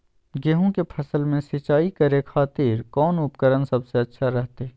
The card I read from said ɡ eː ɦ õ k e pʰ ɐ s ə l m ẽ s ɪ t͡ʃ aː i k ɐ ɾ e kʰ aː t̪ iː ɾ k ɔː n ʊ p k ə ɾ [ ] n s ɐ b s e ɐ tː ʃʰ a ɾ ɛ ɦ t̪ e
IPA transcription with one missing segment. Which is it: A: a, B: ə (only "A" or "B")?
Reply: B